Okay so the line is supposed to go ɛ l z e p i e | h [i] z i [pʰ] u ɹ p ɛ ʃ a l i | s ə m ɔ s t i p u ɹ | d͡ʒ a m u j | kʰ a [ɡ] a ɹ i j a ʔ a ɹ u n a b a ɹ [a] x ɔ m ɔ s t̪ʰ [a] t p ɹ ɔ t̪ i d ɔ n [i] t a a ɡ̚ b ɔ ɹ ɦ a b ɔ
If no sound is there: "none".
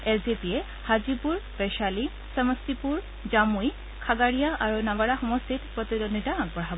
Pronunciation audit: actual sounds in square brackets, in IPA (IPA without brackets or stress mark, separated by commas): a, p, ɡ, a, i, i